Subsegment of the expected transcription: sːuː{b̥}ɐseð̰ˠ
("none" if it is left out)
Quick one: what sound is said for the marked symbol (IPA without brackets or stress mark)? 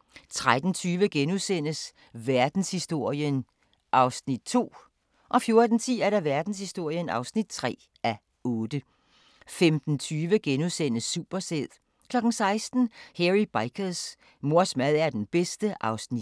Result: b̥